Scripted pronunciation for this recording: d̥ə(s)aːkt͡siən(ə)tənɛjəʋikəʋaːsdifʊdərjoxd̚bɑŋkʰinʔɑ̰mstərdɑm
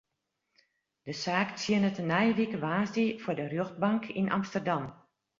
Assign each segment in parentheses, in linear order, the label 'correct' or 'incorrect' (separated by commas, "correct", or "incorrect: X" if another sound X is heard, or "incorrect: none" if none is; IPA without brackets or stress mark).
correct, correct